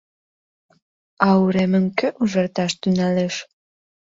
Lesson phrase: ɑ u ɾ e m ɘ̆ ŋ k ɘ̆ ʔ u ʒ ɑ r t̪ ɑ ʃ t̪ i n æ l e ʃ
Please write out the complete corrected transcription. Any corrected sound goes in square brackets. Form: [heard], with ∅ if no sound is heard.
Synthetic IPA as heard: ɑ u ɾ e m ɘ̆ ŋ k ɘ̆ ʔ u ʒ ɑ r t̪ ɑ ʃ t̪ [y] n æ l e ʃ